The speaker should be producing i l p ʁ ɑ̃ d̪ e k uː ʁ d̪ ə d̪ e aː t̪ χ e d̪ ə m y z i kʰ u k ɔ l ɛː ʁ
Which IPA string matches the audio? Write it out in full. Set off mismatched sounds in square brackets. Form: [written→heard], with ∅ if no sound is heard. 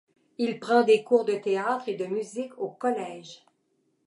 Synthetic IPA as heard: i l p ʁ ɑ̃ d̪ e k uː ʁ d̪ ə [d̪→t̪] e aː t̪ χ e d̪ ə m y z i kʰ [u→o] k ɔ l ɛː [ʁ→ʒ]